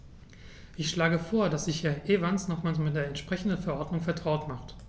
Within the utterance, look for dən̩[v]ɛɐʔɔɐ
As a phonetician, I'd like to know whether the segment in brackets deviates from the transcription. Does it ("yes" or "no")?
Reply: yes